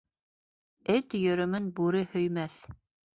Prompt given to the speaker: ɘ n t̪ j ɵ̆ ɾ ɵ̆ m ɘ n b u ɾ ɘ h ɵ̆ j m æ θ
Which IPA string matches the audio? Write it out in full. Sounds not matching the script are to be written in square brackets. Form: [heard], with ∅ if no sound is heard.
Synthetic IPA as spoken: ɘ [∅] t̪ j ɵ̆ ɾ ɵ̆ m ɘ n b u ɾ ɘ h ɵ̆ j m æ θ